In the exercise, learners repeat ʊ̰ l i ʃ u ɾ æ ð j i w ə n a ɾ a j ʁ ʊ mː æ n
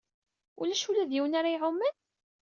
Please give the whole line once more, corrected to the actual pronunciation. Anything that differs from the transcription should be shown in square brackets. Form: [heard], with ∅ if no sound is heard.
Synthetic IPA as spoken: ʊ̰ l [æ] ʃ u [l] æ ð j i w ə n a ɾ a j [ʕ] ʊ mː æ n